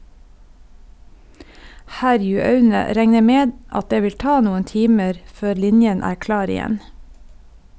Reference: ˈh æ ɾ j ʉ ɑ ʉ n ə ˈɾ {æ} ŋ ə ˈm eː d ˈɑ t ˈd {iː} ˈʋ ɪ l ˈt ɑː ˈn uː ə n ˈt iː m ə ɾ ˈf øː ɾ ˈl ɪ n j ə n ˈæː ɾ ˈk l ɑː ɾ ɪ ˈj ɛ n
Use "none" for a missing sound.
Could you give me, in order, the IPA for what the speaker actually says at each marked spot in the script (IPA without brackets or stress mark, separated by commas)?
ɛ, eː